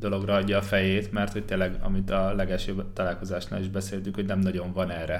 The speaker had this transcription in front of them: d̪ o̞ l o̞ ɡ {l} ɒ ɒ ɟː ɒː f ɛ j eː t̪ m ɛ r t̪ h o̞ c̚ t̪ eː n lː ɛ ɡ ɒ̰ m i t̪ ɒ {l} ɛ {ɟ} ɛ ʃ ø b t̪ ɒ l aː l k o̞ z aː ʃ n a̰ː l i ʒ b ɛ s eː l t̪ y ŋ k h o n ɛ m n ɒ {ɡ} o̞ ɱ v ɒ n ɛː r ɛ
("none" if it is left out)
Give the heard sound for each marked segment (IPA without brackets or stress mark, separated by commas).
r, l, ɡ, ɟ